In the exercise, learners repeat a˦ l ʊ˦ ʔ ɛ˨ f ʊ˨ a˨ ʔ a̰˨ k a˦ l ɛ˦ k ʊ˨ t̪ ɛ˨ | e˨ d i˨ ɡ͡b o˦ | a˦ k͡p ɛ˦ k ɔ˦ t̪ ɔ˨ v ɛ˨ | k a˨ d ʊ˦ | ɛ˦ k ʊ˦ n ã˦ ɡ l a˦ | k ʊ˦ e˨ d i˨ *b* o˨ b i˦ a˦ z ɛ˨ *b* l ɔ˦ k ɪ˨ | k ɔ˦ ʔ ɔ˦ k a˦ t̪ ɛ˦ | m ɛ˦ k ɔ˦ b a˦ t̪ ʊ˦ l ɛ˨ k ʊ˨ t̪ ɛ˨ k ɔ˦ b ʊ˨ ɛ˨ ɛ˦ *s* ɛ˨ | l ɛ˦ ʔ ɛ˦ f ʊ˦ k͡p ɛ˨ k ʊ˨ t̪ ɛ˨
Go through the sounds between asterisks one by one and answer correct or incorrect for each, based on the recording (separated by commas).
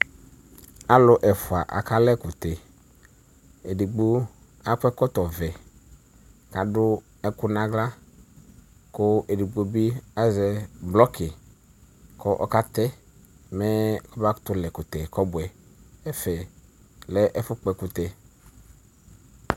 incorrect, correct, incorrect